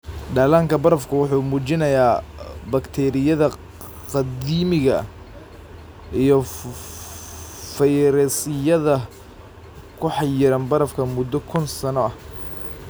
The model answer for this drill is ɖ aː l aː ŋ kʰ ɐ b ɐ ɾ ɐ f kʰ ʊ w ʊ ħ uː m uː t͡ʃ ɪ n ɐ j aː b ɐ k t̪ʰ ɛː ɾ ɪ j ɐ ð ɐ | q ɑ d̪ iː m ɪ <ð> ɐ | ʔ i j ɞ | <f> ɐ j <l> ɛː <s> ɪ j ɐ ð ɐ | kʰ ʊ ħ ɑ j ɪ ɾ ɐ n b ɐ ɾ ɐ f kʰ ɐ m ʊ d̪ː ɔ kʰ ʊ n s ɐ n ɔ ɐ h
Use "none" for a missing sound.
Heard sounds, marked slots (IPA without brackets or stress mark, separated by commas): ɣ, f, ɾ, s